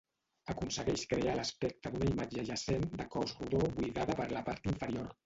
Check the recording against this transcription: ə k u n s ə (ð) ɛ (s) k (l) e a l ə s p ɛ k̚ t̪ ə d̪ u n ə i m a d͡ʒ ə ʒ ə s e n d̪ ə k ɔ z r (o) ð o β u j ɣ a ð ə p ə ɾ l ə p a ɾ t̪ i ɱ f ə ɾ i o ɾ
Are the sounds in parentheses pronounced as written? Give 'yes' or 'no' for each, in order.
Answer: no, no, no, no

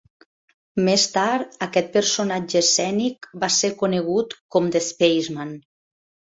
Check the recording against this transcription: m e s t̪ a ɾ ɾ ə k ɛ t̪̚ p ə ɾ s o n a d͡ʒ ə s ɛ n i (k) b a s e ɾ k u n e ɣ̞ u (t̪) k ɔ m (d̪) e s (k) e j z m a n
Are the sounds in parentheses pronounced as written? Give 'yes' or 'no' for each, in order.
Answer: yes, yes, yes, no

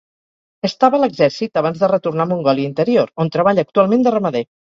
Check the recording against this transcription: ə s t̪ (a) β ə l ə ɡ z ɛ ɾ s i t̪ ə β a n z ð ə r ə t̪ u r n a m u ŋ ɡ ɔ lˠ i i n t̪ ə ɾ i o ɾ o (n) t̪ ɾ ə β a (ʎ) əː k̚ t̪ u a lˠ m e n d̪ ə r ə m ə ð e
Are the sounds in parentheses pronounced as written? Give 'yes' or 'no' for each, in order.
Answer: yes, yes, yes

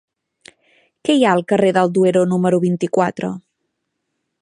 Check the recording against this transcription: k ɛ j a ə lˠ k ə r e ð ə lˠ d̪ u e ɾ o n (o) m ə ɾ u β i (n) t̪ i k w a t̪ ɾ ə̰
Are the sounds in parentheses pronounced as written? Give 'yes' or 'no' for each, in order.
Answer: no, yes

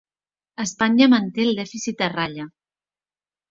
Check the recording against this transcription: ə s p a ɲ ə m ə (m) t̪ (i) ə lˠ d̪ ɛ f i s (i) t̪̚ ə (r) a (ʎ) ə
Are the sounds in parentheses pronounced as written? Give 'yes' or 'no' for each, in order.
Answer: no, no, yes, yes, yes

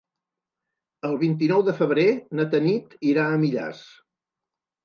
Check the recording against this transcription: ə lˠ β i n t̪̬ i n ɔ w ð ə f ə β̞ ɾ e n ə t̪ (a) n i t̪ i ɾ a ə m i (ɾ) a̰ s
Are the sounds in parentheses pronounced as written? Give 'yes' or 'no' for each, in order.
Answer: no, no

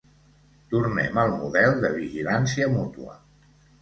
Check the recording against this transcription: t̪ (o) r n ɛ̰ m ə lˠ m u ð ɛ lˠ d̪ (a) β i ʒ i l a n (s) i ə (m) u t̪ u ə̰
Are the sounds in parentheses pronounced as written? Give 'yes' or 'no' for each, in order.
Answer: no, no, yes, yes

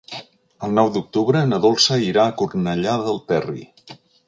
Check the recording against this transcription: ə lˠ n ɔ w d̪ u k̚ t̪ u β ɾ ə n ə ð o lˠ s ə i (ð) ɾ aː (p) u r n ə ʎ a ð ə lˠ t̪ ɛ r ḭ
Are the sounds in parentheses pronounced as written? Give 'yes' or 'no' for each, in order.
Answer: no, no

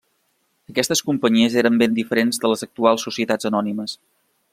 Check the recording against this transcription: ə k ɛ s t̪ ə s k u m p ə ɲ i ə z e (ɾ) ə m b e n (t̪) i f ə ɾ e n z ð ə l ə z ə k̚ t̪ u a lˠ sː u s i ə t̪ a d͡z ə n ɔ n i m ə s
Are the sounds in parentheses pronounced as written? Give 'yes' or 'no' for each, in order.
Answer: yes, no

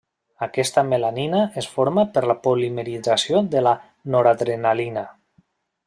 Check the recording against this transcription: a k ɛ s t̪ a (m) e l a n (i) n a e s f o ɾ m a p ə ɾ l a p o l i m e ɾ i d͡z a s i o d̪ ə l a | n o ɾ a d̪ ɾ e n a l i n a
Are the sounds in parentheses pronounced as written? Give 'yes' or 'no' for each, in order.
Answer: yes, yes

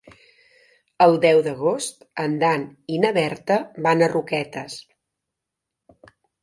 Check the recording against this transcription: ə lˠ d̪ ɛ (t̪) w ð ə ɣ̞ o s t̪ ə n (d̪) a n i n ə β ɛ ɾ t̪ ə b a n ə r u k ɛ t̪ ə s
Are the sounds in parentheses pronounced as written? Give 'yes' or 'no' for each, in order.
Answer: no, yes

